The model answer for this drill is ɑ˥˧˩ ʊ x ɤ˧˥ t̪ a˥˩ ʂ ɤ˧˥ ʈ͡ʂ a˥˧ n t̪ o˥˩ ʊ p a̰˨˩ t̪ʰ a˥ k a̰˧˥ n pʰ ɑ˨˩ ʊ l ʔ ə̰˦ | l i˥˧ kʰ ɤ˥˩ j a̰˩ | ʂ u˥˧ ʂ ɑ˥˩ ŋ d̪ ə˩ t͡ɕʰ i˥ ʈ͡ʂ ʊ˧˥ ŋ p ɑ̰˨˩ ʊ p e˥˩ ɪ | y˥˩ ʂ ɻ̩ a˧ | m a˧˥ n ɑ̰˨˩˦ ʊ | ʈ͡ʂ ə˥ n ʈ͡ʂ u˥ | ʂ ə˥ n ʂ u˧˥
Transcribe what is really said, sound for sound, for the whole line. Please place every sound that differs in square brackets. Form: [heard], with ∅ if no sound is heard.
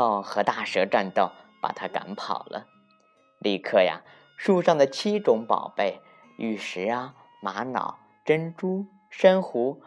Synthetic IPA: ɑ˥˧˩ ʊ x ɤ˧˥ t̪ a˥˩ ʂ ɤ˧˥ ʈ͡ʂ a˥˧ n t̪ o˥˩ ʊ p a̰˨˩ t̪ʰ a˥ k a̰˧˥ n pʰ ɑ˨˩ ʊ l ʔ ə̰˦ | l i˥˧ kʰ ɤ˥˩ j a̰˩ | ʂ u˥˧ ʂ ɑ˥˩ ŋ d̪ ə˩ t͡ɕʰ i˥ ʈ͡ʂ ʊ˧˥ ŋ p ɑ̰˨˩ ʊ p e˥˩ ɪ | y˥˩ ʂ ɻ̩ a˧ | m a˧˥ n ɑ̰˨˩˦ ʊ | ʈ͡ʂ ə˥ n ʈ͡ʂ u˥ | ʂ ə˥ n [x] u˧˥